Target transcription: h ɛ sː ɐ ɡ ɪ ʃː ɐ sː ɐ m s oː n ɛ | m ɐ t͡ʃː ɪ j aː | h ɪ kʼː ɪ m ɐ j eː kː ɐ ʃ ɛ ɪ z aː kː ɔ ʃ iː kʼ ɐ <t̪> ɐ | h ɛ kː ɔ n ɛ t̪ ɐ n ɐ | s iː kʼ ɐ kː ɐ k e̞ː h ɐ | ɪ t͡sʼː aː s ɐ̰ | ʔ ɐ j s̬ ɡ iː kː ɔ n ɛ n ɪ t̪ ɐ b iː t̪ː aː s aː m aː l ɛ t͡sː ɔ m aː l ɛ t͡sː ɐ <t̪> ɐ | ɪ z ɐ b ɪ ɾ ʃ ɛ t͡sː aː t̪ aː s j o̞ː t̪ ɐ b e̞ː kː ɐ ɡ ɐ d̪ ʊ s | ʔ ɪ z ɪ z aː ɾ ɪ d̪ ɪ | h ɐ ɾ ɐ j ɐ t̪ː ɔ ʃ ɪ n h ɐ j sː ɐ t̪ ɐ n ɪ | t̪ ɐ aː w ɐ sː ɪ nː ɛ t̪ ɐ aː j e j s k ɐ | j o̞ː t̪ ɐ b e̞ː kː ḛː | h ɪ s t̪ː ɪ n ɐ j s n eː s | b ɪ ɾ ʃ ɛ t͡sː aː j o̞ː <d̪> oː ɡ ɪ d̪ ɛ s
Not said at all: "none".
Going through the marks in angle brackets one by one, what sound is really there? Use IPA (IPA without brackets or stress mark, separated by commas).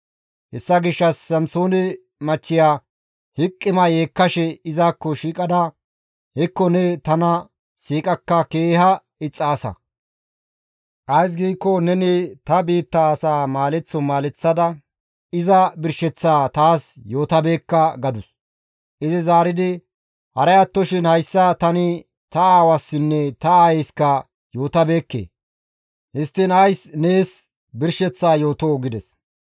d̪, d̪, t̪